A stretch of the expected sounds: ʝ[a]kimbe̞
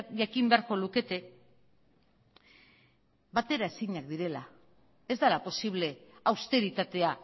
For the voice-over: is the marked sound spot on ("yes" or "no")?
yes